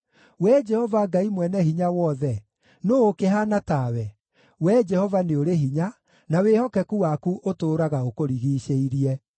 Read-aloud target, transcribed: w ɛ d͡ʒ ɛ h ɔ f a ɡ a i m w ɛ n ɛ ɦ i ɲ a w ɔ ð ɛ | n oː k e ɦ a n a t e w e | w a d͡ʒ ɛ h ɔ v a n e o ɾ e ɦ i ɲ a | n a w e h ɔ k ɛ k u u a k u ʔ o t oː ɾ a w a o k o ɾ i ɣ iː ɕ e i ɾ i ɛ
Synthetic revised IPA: w ɛ d͡ʒ ɛ h ɔ v a ɡ a i m w ɛ n ɛ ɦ i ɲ a w ɔ ð ɛ | n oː k e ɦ a n a t a w ɛ | w ɛ d͡ʒ ɛ h ɔ v a n e o ɾ e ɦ i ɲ a | n a w e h ɔ k ɛ k u w a k u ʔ o t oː ɾ a ɣ a o k o ɾ i ɣ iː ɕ e i ɾ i ɛ